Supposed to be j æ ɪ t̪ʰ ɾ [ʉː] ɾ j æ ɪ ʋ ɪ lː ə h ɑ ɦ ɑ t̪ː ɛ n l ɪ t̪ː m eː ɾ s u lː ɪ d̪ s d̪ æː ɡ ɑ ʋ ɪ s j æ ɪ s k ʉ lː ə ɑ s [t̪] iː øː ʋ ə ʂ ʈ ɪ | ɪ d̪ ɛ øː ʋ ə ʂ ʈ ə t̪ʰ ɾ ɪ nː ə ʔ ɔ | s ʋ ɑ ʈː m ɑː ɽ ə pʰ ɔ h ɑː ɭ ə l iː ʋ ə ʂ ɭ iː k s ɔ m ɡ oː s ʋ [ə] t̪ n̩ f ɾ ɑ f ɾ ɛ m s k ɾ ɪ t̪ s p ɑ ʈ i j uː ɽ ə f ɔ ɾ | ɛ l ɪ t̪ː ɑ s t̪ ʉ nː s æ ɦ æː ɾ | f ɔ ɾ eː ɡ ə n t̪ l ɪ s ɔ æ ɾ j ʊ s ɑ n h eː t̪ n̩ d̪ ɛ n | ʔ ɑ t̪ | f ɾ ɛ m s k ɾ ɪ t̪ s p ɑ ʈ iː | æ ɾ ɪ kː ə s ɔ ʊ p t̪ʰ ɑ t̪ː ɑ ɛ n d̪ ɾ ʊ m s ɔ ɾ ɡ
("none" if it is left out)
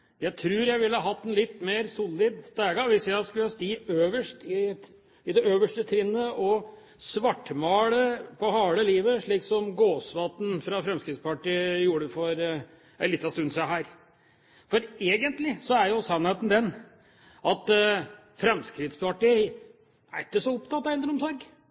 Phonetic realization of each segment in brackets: ʉː, t̪, ɑ

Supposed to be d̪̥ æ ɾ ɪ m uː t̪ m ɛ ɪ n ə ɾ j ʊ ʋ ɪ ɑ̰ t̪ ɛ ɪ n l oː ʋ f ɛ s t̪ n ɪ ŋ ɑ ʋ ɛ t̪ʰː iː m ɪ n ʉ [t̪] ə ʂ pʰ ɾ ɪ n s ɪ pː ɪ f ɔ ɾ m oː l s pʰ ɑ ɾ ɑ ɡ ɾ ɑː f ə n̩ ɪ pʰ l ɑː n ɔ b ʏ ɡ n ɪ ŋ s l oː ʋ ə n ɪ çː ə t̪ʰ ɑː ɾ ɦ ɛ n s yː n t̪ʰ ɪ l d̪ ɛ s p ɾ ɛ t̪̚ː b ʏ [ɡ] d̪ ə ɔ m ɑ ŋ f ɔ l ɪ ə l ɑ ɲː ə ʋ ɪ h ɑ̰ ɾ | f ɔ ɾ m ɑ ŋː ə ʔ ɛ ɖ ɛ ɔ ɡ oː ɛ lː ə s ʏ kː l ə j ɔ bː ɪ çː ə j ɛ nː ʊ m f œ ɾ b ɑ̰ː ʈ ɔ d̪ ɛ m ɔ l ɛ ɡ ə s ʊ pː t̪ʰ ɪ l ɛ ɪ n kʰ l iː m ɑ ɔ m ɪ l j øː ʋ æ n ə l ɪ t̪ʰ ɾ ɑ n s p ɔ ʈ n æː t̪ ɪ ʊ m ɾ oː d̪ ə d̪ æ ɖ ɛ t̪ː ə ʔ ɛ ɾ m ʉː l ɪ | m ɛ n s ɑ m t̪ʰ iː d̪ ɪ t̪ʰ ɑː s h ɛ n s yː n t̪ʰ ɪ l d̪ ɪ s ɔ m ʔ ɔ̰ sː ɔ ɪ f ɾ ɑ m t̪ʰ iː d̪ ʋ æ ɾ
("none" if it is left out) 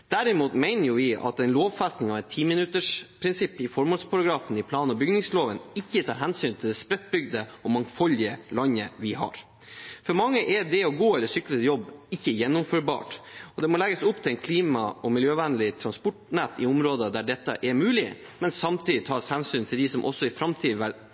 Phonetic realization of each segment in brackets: t̪, ɡ

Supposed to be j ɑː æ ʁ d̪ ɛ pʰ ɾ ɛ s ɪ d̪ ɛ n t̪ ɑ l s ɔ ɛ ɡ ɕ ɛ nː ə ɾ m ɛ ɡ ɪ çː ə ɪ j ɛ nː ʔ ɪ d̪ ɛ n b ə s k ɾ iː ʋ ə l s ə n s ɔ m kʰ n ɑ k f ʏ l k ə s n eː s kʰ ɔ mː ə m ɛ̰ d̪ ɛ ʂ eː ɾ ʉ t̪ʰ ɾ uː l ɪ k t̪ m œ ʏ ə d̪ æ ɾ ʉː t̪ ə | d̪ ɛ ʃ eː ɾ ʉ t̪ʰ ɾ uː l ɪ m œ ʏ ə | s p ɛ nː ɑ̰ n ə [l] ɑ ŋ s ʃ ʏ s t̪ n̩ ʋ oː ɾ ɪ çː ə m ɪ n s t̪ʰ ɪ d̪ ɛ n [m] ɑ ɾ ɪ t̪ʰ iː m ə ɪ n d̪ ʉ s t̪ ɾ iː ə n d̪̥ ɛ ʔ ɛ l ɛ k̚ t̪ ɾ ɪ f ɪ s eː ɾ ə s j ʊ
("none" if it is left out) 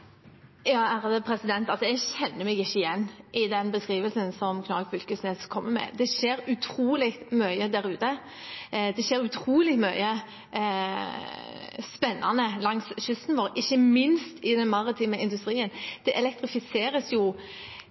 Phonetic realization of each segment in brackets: l, m

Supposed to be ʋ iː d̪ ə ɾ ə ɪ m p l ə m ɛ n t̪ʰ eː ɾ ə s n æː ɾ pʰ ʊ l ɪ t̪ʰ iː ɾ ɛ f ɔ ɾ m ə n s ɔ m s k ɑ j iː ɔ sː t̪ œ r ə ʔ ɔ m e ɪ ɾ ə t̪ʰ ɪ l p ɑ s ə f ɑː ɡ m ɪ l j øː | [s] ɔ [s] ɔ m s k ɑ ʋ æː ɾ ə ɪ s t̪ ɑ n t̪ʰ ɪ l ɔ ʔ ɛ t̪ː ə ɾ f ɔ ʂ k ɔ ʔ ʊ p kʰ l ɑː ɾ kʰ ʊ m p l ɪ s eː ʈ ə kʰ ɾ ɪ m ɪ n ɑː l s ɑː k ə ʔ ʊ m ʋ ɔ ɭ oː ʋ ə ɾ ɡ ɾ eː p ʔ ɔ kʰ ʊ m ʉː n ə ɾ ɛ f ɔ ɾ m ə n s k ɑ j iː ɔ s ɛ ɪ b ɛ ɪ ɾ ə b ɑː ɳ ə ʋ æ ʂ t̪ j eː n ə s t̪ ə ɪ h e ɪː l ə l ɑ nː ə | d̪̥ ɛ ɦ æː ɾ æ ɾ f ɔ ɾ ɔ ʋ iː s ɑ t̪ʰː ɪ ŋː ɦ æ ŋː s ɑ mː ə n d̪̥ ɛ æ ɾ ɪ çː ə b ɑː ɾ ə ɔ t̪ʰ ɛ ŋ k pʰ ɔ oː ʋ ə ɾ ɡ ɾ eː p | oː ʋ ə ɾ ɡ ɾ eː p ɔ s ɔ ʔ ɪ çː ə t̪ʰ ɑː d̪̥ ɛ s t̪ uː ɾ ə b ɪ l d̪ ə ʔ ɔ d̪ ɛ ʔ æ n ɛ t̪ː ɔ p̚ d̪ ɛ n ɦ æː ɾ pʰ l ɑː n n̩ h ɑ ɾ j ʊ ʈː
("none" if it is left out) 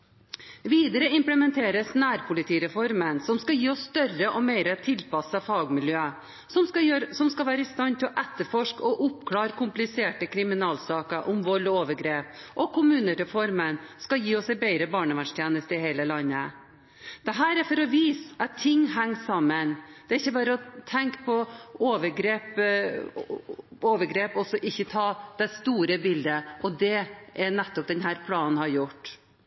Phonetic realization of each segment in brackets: s, s

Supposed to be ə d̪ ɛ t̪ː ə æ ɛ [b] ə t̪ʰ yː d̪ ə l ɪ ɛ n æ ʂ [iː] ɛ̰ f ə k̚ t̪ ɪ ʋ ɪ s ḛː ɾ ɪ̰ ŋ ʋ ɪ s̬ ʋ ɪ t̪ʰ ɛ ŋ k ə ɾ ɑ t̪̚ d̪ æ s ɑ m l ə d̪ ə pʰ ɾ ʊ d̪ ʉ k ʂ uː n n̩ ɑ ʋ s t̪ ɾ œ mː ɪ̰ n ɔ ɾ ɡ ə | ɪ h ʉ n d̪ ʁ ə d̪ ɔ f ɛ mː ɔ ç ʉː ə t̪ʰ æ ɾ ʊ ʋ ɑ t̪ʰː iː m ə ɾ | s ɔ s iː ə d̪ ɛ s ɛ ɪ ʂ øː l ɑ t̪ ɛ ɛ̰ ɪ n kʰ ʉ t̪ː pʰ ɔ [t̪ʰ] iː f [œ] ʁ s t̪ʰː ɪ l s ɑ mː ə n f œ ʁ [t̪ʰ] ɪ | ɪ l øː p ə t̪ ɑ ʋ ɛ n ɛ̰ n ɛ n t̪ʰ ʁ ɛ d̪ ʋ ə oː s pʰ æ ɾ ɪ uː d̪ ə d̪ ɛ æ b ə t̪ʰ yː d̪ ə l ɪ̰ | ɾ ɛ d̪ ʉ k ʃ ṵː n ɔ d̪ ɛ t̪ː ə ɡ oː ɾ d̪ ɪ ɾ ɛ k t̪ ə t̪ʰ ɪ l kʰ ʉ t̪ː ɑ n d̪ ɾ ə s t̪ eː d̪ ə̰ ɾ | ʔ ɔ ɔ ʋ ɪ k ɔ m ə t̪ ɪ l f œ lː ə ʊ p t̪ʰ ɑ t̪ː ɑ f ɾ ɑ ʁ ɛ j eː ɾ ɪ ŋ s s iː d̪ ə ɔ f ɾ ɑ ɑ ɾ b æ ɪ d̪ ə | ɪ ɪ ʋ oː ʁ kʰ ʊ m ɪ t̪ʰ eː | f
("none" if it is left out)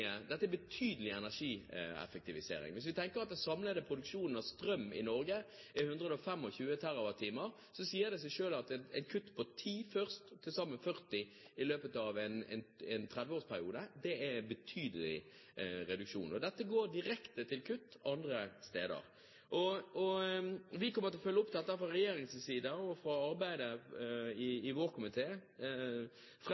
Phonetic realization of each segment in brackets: b, iː, t̪ʰ, œ, t̪

